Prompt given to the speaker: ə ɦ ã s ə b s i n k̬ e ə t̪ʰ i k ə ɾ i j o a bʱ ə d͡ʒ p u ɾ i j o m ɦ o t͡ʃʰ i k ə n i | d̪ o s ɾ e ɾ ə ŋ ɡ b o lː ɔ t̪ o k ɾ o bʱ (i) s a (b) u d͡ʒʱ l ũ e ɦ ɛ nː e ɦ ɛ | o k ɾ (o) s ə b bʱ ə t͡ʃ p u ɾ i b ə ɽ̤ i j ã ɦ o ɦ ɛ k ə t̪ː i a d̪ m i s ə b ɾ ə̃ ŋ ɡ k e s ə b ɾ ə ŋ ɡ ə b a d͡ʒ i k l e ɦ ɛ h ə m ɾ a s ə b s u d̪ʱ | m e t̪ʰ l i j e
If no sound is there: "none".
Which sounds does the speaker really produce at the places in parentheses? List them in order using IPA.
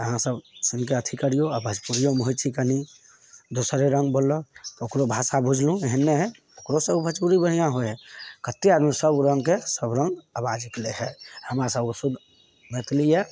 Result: a, b, o

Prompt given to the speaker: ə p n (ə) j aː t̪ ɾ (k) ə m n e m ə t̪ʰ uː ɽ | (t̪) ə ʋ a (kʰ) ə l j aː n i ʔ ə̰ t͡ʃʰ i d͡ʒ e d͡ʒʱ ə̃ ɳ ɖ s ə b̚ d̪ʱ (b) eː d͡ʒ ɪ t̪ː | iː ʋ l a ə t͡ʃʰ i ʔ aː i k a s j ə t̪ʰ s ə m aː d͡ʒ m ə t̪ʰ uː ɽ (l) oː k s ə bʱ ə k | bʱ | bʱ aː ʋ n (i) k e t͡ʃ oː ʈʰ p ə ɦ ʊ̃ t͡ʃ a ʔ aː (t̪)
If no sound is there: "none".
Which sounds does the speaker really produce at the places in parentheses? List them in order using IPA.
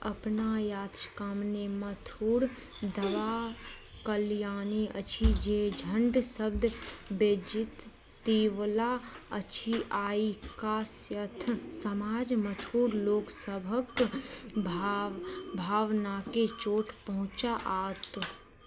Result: a, k, d̪, k, b, l, a, t̪

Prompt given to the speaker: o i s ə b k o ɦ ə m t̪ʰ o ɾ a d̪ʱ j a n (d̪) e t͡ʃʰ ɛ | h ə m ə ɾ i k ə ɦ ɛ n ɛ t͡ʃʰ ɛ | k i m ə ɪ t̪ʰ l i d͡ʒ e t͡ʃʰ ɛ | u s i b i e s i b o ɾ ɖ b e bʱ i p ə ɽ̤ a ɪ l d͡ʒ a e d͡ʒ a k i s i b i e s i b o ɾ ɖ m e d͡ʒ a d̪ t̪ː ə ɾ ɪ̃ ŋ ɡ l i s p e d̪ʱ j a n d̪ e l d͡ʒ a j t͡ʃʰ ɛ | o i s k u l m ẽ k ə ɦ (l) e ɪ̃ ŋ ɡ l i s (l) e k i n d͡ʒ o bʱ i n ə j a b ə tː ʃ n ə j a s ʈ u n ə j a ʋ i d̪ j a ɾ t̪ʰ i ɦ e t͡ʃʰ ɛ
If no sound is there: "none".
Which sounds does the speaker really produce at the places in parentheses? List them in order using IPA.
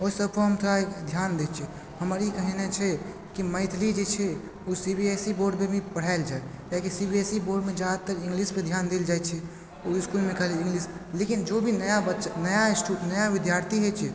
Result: d̪, l, l

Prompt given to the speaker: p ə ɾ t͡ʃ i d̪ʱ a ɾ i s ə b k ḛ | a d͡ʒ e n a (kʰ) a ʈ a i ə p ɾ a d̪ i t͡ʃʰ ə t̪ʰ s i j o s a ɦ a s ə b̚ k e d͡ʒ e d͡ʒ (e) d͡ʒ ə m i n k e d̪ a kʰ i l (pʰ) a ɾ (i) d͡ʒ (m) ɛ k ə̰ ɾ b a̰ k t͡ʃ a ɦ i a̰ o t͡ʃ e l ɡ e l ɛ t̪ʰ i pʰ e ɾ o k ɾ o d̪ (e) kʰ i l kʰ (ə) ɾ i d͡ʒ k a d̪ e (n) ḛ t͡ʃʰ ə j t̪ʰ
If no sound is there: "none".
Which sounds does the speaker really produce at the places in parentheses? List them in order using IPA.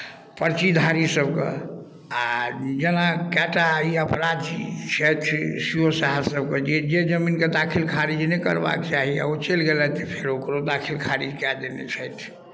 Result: k, e, kʰ, i, n, a, a, n

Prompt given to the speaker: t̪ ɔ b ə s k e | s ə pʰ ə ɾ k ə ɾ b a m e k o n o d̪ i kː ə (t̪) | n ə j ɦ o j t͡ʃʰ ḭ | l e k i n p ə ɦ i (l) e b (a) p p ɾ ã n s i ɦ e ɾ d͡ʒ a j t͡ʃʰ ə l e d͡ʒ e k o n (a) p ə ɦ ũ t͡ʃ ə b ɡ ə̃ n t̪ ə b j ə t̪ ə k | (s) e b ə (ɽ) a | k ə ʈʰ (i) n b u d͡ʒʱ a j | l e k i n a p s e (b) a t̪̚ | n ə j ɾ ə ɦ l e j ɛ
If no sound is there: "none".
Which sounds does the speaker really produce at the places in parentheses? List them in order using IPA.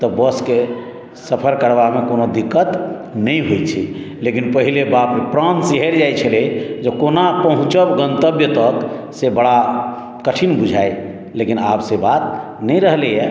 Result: t̪, l, a, a, s, ɽ, i, b

